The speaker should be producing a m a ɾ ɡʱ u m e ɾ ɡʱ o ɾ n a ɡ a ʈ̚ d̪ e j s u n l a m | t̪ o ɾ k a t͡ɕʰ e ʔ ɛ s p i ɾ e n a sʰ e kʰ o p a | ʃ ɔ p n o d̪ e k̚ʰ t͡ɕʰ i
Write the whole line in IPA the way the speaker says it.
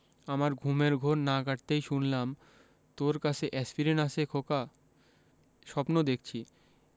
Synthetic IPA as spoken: a m a ɾ ɡʱ u m e ɾ ɡʱ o ɾ n a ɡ a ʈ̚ t̪ e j ʃ u n l a m | t̪ o ɾ k a t͡ɕʰ e ʔ ɛ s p i ɾ e n a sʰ e kʰ o k a | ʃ ɔ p n o d̪ e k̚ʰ t͡ɕʰ i